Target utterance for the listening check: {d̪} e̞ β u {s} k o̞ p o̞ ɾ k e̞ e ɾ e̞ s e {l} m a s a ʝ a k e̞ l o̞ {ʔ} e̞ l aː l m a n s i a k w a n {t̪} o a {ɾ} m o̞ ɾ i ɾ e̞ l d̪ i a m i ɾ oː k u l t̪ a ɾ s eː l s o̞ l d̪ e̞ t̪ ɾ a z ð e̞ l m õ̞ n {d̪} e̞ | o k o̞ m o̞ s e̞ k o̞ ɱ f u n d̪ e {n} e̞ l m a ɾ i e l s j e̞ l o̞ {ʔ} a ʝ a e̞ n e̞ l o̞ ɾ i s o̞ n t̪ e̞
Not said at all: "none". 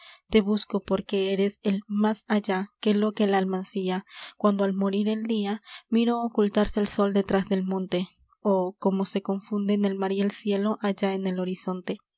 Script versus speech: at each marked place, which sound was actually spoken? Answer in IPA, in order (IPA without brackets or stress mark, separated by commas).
t̪, s, l, k, d̪, l, t̪, n, ʔ